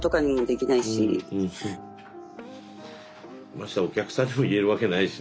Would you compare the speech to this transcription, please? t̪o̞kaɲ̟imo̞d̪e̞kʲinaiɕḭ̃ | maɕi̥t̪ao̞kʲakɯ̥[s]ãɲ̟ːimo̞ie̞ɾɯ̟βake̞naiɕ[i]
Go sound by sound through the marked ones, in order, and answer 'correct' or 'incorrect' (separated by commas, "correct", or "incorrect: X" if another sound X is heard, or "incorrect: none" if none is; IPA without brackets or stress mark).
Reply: correct, correct